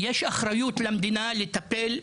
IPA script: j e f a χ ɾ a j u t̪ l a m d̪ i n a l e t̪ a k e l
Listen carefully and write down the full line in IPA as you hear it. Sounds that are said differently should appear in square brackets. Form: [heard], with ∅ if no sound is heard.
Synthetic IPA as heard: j e [ʃ] a χ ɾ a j u t̪ l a m d̪ i n a l e t̪ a [p] e l